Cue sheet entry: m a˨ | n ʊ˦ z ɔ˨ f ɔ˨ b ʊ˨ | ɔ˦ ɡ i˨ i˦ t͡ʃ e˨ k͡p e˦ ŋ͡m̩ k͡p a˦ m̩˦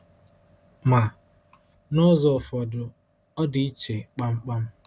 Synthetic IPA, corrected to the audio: m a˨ | n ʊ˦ z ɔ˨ f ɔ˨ d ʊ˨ | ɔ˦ d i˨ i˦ t͡ʃ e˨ k͡p a˦ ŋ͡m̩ k͡p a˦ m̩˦